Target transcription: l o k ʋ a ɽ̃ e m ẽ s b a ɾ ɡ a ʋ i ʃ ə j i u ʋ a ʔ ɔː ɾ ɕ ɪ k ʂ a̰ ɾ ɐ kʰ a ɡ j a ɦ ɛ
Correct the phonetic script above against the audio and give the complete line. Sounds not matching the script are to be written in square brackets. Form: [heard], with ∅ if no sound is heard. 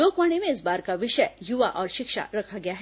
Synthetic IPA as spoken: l o k ʋ a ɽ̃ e m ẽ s b a ɾ [k] a ʋ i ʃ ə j [j] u ʋ a ʔ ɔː ɾ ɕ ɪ k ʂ a̰ ɾ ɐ kʰ a ɡ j a ɦ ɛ

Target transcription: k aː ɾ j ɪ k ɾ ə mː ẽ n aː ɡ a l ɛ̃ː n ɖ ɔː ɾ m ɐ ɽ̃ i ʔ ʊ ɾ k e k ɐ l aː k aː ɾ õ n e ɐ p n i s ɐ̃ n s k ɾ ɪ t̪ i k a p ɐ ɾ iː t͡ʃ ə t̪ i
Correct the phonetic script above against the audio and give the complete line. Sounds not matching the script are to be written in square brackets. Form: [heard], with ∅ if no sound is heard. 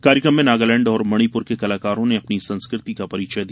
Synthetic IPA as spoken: k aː ɾ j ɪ k ɾ ə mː ẽ n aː ɡ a l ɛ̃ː [ɳ] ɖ ɔː ɾ m ɐ ɽ̃ i [p] ʊ ɾ k e k ɐ l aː k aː ɾ õ n e ɐ p n i s ɐ̃ n s k ɾ ɪ t̪ i k a p ɐ ɾ iː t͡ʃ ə [d̪] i

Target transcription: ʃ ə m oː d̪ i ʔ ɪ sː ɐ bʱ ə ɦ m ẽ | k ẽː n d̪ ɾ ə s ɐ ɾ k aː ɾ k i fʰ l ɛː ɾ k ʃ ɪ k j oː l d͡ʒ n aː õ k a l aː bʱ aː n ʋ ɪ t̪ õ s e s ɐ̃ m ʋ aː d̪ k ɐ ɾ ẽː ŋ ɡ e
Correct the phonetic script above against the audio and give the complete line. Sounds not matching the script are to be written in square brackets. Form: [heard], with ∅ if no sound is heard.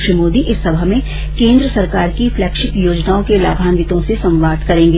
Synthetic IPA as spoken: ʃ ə m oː d̪ i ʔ ɪ sː ɐ bʱ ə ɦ m ẽ | k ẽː n d̪ ɾ ə s ɐ ɾ k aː ɾ k i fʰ l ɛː [∅] k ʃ ɪ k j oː [∅] d͡ʒ n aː õ k [e] l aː bʱ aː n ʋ ɪ t̪ õ s e s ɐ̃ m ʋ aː d̪ k ɐ ɾ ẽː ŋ ɡ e

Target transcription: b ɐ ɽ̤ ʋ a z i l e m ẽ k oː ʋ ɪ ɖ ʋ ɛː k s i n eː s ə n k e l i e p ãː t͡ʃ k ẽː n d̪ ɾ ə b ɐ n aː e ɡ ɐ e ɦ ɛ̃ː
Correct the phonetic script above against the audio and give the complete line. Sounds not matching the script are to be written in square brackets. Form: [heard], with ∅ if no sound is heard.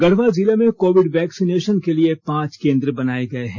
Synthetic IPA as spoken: [ɡ] ɐ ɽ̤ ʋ a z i l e m ẽ k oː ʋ ɪ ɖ ʋ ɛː k s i n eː [ʃ] ə n k e l i e p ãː t͡ʃ k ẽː n d̪ ɾ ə b ɐ n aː e ɡ ɐ e ɦ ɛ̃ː

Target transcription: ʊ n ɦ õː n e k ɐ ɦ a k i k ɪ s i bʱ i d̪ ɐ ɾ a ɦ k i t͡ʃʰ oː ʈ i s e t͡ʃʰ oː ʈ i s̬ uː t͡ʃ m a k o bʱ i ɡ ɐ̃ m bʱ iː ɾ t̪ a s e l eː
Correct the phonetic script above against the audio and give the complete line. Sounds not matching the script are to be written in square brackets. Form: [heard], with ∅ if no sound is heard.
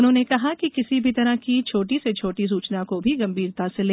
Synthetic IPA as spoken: ʊ n ɦ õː n e k ɐ ɦ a k i k ɪ s i bʱ i [t̪] ɐ ɾ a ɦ k i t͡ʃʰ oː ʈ i s e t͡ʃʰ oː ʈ i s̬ uː t͡ʃ [n] a k o bʱ i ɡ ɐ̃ m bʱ iː ɾ t̪ a s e l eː

